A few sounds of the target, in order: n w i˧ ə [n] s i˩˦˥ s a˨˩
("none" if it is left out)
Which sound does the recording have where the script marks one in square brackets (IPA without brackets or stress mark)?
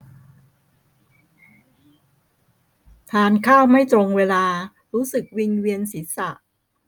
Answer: n